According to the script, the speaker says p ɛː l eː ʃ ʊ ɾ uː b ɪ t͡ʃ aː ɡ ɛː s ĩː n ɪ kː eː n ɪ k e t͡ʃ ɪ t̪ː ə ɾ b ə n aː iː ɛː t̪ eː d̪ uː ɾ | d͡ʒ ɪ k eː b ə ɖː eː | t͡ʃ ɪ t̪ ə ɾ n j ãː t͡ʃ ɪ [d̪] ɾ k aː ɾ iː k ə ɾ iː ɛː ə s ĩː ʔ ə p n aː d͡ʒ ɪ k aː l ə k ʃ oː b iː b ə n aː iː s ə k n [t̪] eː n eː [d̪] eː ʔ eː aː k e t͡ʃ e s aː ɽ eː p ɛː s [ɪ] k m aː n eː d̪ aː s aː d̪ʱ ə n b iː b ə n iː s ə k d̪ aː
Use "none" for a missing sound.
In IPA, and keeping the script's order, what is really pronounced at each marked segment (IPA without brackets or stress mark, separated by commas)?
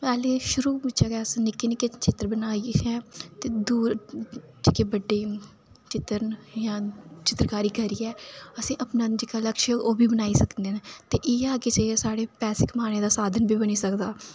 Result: t̪, d̪, t̪, ɪ